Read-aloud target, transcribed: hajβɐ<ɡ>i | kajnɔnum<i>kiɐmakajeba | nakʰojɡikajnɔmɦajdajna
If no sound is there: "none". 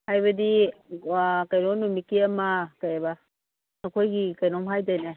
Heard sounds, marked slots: d, i

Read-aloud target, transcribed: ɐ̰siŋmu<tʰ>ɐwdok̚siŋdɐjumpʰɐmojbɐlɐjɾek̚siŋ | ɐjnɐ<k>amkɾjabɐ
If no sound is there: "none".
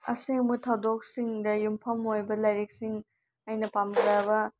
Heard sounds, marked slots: tʰ, p

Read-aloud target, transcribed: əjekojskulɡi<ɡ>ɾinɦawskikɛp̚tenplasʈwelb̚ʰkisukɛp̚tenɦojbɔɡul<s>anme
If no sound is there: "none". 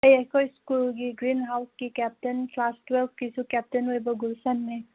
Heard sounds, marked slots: ɡ, s

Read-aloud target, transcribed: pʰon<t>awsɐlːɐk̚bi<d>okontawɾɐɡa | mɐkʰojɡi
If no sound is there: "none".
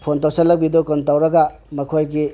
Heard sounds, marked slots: t, d

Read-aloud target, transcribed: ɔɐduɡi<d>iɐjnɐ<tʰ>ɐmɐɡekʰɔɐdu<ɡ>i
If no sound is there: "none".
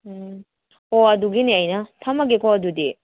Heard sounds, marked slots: n, tʰ, d

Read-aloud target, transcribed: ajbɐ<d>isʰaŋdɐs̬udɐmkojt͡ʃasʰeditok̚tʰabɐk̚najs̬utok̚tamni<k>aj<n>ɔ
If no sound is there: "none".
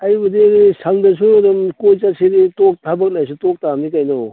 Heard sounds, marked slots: d, k, n

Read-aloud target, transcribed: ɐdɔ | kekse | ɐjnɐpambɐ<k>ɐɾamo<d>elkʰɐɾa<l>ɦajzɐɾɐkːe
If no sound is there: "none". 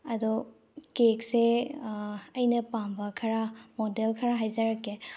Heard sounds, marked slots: kʰ, d, none

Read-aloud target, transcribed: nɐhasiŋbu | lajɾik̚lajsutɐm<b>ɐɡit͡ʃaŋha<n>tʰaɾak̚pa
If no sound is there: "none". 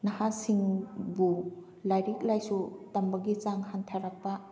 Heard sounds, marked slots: b, n

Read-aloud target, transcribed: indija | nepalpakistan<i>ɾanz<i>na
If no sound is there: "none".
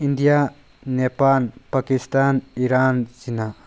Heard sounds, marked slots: i, i

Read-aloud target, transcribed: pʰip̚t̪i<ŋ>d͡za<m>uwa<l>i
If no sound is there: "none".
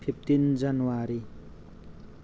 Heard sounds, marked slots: n, n, ɾ

